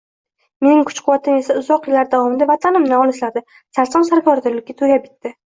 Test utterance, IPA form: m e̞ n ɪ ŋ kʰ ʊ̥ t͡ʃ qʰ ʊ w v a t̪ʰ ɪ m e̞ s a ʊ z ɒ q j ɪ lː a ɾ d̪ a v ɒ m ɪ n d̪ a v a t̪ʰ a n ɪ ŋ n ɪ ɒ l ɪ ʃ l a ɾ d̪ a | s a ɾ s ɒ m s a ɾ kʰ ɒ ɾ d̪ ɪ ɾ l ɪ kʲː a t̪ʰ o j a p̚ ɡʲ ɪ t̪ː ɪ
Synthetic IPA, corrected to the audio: m e̞ n ɪ ŋ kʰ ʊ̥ t͡ʃ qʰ ʊ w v a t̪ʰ ɪ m e̞ s a ʊ z ɒ q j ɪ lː a ɾ d̪ a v ɒ m ɪ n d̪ a v a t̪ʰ a n ɪ m n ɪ ɒ l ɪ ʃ l a ɾ d̪ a | s a ɾ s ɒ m s a ɾ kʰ ɒ ɾ d̪ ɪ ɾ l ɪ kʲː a t̪ʰ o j a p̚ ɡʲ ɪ t̪ː ɪ